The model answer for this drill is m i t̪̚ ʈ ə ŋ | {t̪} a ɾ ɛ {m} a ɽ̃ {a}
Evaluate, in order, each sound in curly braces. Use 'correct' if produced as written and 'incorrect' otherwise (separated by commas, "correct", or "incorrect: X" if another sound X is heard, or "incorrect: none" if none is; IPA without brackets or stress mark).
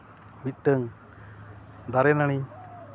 incorrect: d̪, incorrect: n, incorrect: i